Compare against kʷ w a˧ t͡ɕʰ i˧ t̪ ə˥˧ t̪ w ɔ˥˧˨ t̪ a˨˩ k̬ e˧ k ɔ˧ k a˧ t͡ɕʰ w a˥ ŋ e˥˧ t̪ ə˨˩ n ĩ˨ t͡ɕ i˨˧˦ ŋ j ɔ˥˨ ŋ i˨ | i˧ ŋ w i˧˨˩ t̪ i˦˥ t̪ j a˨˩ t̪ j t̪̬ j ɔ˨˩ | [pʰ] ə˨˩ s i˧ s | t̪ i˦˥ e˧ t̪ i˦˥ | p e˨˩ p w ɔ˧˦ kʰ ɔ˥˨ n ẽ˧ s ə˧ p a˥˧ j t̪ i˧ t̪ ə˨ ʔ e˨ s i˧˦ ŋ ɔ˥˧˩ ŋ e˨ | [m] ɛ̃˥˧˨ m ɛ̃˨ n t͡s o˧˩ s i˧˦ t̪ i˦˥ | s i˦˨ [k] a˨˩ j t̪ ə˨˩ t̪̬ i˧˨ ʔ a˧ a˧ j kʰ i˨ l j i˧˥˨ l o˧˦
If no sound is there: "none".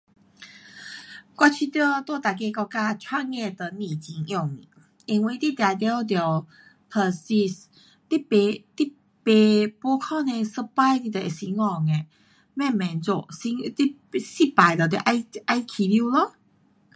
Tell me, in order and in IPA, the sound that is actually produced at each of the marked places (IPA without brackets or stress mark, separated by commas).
pʰ, m, p